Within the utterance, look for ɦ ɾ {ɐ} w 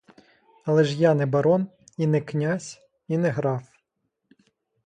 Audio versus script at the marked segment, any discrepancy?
yes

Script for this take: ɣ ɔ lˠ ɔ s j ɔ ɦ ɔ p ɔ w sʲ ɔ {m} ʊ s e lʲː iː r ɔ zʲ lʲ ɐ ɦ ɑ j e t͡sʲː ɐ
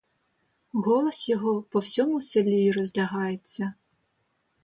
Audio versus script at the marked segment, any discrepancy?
no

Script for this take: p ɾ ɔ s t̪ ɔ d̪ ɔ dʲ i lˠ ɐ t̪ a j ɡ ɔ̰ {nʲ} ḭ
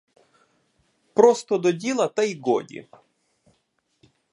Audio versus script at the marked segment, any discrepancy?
yes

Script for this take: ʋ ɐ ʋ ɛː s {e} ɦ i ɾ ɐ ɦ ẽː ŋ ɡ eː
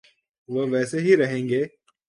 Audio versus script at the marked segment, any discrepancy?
no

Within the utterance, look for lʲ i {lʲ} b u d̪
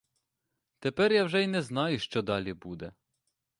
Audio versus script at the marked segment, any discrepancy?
yes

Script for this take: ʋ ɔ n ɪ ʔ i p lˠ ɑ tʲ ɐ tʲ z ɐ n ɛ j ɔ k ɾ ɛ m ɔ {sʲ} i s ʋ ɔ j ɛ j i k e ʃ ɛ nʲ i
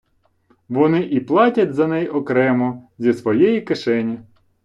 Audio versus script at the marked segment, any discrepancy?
yes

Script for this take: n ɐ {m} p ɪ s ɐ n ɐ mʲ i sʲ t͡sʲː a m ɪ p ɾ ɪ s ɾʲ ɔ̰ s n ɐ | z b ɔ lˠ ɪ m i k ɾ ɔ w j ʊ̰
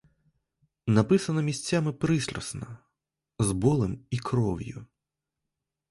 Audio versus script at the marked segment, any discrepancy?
yes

